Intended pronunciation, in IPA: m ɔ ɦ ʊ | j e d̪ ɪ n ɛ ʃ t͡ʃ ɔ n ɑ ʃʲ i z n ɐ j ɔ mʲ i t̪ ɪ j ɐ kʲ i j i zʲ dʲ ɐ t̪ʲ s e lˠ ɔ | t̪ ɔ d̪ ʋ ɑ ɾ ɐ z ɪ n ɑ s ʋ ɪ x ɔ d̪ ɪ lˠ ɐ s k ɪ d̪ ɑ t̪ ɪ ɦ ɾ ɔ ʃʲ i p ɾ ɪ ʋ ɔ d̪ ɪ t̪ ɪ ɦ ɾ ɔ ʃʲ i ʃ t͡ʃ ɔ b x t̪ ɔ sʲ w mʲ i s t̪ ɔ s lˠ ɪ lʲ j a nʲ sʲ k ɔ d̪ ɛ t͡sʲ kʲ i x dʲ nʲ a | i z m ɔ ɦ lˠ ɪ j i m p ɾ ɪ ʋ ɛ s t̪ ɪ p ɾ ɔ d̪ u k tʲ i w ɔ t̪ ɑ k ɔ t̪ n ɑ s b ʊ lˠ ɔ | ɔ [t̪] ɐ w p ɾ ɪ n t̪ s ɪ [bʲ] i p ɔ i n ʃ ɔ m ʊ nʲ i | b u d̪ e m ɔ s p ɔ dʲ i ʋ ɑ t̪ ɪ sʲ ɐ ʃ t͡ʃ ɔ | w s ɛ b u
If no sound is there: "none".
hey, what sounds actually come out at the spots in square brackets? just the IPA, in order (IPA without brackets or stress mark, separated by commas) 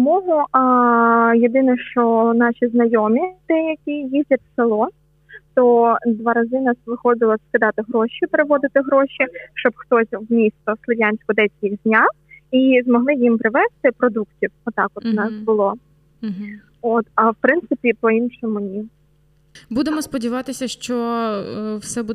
t̪, pʲ